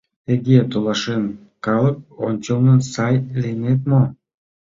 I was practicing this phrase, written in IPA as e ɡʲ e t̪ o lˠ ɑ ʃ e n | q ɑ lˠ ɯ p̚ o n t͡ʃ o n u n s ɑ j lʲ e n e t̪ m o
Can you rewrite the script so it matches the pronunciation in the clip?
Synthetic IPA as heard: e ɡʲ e t̪ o lˠ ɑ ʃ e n | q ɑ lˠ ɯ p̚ o n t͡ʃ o n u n s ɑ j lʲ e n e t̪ m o